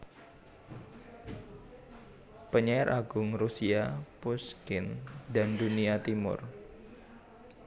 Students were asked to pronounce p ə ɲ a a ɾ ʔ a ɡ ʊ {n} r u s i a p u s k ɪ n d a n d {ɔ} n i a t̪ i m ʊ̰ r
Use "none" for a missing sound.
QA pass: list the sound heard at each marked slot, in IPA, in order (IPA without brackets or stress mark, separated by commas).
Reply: ŋ, u